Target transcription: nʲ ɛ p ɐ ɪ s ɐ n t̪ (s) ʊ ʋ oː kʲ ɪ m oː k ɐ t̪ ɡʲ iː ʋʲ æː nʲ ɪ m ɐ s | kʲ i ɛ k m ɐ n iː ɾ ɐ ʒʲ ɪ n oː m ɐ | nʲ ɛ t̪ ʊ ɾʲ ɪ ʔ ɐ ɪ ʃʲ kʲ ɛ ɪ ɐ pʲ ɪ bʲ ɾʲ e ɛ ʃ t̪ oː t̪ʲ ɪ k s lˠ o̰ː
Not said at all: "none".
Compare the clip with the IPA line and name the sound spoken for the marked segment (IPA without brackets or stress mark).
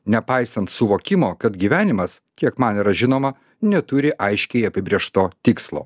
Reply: s